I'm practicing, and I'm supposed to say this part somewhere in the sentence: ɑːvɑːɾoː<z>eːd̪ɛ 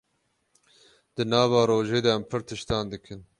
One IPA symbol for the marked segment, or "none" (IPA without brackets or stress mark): ʒ